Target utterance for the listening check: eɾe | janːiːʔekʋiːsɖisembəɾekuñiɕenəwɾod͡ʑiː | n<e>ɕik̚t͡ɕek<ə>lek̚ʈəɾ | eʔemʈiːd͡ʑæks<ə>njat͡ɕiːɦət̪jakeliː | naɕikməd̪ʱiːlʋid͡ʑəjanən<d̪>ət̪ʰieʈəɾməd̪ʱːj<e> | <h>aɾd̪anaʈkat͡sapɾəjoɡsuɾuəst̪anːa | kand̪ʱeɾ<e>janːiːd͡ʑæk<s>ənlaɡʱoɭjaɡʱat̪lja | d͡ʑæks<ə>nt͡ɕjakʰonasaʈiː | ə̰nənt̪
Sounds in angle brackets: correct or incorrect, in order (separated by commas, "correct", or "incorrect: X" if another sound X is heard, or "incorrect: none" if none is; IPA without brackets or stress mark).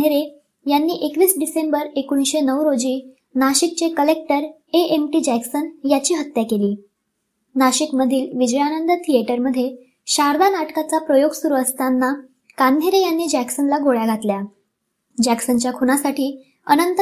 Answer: incorrect: a, correct, correct, correct, correct, incorrect: ɕ, correct, correct, correct